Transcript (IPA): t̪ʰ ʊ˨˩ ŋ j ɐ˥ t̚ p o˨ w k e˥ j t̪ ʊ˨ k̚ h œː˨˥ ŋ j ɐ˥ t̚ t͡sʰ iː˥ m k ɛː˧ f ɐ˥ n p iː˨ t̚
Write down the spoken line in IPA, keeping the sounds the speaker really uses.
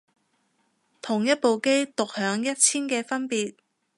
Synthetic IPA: t̪ʰ ʊ˨˩ ŋ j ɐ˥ t̚ p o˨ w k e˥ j t̪ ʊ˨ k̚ h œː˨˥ ŋ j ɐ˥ t̚ t͡sʰ iː˥ n k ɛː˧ f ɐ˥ n p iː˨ t̚